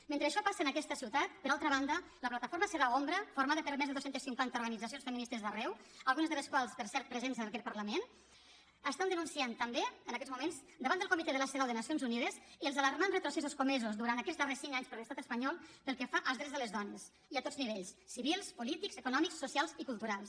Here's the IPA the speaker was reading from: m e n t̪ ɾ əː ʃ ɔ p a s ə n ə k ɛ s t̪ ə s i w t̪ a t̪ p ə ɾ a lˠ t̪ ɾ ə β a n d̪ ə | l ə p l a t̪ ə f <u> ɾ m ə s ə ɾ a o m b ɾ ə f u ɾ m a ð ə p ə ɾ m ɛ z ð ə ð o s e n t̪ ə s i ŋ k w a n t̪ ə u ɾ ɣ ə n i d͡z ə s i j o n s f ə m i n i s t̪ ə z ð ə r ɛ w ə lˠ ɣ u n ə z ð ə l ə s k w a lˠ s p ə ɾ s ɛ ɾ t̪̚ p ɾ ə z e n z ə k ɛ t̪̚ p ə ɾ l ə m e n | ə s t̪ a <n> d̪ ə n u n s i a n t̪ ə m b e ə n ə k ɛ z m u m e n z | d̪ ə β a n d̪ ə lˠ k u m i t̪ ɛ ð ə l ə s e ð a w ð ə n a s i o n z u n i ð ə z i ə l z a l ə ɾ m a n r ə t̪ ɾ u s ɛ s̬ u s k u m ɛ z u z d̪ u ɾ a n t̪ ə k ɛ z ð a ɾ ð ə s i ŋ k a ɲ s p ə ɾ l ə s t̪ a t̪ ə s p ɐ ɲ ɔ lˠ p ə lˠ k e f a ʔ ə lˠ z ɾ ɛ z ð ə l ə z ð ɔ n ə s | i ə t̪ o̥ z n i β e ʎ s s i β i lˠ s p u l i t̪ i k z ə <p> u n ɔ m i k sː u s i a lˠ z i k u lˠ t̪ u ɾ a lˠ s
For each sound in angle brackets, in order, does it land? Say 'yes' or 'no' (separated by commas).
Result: no, yes, no